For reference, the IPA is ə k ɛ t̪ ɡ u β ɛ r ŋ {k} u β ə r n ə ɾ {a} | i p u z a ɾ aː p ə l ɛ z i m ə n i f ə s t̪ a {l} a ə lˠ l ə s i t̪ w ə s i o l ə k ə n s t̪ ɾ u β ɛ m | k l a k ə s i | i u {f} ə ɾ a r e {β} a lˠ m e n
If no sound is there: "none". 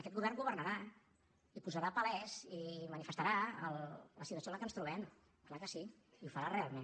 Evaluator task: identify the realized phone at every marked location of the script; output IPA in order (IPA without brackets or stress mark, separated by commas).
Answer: ɡ, a, ɾ, f, none